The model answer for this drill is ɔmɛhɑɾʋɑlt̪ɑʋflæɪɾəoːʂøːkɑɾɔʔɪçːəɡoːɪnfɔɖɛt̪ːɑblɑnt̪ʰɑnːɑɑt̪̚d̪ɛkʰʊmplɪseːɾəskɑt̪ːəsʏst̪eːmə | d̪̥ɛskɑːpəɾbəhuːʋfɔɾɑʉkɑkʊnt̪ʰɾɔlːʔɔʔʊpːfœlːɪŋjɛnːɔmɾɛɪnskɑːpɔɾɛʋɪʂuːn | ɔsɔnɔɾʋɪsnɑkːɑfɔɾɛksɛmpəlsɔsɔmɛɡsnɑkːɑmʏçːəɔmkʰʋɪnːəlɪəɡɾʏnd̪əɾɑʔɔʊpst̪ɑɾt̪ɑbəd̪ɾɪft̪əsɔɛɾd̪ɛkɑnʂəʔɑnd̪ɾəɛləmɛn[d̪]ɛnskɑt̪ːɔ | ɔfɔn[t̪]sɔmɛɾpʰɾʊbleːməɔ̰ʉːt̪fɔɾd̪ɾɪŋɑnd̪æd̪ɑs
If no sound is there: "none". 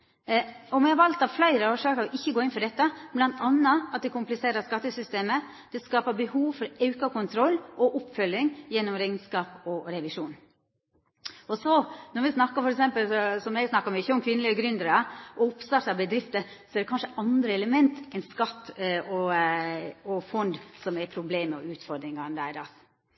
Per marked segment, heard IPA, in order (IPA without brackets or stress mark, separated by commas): t̪, d̪